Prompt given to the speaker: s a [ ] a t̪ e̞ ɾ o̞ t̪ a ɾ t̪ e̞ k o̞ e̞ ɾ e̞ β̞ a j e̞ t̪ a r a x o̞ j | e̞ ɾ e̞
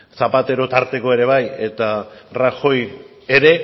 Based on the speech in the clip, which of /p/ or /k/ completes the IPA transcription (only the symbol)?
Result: p